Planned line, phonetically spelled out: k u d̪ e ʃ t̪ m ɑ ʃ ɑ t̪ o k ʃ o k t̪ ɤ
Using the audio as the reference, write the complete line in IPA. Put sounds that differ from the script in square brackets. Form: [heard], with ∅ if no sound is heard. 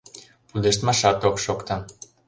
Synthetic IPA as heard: [p] u d̪ e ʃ t̪ m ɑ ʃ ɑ t̪ o k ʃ o k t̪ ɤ

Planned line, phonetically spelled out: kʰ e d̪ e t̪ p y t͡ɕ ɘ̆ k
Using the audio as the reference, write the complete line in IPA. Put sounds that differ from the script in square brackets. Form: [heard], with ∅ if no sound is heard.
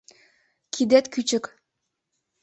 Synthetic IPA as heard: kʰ [i] d̪ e t̪ [k] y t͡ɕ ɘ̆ k

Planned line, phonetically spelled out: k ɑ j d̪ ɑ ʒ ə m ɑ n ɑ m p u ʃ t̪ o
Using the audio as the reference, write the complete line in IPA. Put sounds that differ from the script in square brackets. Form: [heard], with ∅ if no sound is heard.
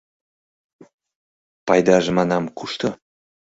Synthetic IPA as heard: [p] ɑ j d̪ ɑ ʒ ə m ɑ n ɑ m [k] u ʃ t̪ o

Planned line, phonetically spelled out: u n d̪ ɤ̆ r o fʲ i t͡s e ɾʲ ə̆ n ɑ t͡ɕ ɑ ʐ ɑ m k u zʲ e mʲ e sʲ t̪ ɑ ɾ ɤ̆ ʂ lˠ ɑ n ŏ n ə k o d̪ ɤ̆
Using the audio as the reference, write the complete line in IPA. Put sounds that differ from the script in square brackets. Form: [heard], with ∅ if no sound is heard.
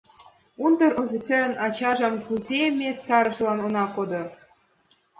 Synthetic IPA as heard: u n d̪ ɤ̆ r o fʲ i t͡s e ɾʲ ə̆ n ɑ t͡ɕ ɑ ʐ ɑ m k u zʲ e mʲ e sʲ t̪ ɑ ɾ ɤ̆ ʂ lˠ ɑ n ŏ n [ɑ] k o d̪ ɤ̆

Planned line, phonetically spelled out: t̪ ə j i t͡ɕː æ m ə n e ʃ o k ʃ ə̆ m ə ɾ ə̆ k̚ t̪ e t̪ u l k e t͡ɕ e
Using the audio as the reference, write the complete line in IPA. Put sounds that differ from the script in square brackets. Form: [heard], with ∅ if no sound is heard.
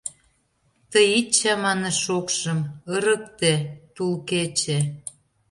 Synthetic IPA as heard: t̪ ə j i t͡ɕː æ m [ɑ] n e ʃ o k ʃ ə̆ m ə ɾ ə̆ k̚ t̪ e t̪ u l k e t͡ɕ e

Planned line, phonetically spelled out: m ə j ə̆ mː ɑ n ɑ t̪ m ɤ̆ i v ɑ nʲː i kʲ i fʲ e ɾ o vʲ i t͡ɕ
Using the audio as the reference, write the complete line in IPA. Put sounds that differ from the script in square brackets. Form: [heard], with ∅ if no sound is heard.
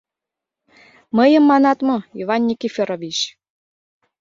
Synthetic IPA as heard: m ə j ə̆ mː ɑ n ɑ t̪ m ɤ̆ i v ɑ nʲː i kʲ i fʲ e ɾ o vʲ i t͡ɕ

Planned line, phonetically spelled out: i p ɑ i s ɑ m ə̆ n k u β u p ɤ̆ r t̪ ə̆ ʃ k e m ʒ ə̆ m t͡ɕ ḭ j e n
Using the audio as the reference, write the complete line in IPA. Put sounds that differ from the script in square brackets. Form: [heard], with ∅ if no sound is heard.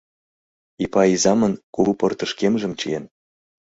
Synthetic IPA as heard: i p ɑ i [z] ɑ m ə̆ n k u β u p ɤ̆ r t̪ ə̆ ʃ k e m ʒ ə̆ m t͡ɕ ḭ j e n

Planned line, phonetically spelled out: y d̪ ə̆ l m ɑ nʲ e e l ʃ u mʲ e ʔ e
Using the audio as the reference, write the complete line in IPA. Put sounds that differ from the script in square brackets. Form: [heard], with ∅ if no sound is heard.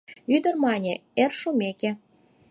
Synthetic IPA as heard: y d̪ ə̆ [r] m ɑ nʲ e e [r] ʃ u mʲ e [k] e

